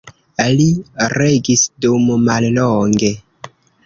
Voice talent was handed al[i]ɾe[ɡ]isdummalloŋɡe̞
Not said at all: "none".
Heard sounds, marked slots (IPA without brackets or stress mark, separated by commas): i, ɡ